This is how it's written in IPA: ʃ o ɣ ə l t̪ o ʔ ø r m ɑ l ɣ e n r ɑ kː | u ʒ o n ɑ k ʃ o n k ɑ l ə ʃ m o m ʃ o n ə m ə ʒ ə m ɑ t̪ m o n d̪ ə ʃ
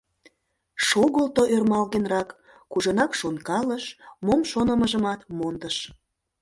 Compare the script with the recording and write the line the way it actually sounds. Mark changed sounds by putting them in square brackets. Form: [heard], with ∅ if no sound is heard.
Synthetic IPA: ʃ o ɣ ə l t̪ o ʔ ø r m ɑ l ɣ e n r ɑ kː | u ʒ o n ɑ k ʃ o n k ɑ l ə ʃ m o m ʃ o n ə m ə ʒ ə m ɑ t̪ m o n d̪ ə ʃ